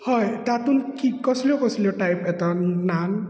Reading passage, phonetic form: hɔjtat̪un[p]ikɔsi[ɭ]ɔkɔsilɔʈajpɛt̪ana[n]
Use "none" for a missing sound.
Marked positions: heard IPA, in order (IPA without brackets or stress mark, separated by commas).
k, l, n